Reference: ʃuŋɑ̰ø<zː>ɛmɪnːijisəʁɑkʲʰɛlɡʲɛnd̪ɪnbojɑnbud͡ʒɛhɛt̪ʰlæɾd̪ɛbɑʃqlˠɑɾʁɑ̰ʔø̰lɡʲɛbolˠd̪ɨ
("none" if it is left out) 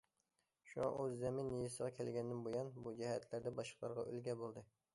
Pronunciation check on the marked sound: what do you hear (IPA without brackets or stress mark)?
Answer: zː